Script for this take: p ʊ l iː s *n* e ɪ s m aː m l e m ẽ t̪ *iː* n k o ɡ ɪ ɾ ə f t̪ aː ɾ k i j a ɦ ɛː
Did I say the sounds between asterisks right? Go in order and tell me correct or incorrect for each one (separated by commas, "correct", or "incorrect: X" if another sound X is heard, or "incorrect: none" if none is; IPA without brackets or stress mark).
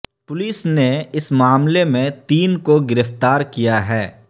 correct, correct